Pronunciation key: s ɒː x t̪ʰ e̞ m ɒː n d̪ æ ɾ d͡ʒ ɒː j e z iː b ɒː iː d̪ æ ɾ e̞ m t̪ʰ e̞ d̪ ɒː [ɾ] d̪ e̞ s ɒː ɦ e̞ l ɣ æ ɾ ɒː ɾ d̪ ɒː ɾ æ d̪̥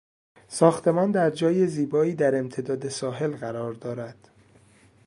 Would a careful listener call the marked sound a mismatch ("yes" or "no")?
yes